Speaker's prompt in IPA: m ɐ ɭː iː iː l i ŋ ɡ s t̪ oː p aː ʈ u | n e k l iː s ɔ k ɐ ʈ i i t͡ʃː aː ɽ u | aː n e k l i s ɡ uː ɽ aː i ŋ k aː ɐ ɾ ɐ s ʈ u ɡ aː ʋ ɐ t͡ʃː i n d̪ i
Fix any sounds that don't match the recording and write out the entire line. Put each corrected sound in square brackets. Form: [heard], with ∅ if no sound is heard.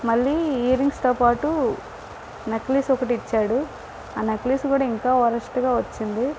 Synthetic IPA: m ɐ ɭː iː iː [ɾ] i ŋ ɡ s t̪ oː p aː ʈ u | n e k l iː s ɔ k ɐ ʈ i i t͡ʃː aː ɽ u | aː n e k l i s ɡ uː ɽ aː i ŋ k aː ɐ ɾ ɐ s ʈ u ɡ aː ʋ ɐ t͡ʃː i n d̪ i